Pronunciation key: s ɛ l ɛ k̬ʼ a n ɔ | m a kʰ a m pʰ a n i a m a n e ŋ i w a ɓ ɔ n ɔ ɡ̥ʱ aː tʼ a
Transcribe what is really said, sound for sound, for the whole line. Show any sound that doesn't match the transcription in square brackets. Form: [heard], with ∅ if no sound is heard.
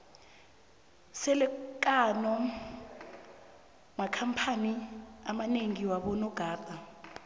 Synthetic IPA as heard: s ɛ l ɛ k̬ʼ a n ɔ | m a kʰ a m pʰ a n i a m a n e ŋ i w a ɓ ɔ n ɔ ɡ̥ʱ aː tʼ a